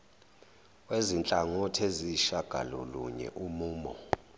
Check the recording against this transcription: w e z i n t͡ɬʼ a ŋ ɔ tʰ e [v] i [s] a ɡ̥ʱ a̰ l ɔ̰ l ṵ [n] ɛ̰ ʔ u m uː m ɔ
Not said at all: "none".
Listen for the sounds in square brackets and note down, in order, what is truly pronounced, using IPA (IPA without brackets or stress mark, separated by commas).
z, ʃ, ɲ